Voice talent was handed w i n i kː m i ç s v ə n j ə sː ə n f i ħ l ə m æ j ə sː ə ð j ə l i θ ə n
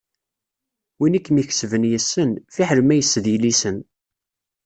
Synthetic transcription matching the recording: w i n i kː m i ç s v ə n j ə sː ə n f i ħ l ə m æ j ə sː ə ð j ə l i s ə n